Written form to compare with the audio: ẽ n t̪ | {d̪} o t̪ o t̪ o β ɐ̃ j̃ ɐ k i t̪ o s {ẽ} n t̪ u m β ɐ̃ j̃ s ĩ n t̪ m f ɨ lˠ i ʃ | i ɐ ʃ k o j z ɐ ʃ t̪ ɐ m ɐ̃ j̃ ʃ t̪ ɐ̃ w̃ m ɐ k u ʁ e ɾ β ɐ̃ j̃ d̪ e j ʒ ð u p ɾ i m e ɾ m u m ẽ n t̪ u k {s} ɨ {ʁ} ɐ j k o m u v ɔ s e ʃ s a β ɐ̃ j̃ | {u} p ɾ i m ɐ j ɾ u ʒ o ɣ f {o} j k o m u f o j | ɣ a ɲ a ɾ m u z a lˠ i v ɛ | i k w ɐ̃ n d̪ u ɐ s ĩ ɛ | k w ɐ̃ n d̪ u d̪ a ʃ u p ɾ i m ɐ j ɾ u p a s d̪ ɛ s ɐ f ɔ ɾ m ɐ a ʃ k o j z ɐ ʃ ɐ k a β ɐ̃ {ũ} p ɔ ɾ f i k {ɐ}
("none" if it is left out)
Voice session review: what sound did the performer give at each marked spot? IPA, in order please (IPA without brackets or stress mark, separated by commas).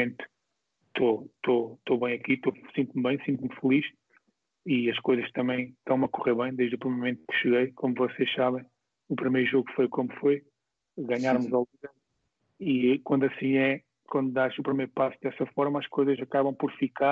t̪, ĩ, ʃ, ɣ, u, o, w̃, a